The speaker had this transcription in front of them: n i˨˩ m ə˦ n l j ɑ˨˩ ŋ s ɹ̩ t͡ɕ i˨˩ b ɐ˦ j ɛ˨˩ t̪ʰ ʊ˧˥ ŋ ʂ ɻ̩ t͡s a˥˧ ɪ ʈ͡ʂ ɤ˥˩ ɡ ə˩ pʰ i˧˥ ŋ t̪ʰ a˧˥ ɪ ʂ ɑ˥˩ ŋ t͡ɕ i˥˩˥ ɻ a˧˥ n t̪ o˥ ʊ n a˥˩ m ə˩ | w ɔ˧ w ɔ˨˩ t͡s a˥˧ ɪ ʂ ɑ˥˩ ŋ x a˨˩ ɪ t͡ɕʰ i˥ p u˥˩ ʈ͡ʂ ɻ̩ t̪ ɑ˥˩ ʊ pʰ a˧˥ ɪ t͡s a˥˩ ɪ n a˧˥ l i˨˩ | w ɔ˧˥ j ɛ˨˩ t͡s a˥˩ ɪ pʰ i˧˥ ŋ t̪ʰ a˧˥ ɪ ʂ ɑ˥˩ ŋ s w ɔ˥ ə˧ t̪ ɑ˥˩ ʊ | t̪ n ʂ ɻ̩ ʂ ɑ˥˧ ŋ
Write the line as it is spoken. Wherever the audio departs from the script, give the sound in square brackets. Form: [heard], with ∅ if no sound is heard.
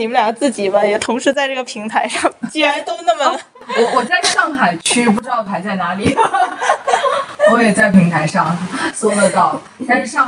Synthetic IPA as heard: n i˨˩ m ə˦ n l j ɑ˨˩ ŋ [t͡s] ɹ̩ t͡ɕ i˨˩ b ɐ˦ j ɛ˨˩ t̪ʰ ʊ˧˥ ŋ ʂ ɻ̩ t͡s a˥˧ ɪ ʈ͡ʂ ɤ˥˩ ɡ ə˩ pʰ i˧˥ ŋ t̪ʰ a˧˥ ɪ ʂ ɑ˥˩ ŋ t͡ɕ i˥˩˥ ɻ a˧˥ n t̪ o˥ ʊ n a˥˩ m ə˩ | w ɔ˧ w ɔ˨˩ t͡s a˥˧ ɪ ʂ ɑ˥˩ ŋ x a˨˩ ɪ t͡ɕʰ [y˥] p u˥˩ ʈ͡ʂ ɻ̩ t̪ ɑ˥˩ ʊ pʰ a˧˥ ɪ t͡s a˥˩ ɪ n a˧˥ l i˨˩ | w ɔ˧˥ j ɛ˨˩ t͡s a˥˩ ɪ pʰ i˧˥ ŋ t̪ʰ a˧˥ ɪ ʂ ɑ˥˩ ŋ s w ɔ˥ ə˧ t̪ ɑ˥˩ ʊ | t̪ n ʂ ɻ̩ ʂ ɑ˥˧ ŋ